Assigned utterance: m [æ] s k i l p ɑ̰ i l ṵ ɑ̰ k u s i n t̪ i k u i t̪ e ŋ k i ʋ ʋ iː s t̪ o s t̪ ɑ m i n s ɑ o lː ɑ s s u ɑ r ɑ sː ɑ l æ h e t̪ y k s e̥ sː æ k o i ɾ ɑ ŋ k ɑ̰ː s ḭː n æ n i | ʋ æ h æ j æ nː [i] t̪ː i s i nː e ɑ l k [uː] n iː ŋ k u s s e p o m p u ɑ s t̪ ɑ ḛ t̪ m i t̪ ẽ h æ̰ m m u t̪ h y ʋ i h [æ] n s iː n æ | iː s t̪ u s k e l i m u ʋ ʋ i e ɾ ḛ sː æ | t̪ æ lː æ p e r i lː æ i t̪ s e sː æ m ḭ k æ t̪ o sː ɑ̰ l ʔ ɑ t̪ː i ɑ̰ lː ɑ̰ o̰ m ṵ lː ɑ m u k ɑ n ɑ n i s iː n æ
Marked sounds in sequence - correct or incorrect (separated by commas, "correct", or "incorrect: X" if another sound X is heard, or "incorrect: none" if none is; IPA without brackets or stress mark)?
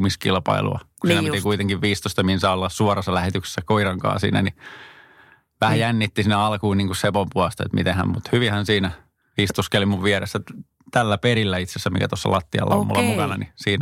incorrect: i, correct, correct, correct